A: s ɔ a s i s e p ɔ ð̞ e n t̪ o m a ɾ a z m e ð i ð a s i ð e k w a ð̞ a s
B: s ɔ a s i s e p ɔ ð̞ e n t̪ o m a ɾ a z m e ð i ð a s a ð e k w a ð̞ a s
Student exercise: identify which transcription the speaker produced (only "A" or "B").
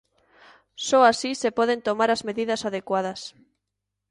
B